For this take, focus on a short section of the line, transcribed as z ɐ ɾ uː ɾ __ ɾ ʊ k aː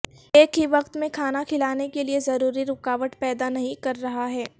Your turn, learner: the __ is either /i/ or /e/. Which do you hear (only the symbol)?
i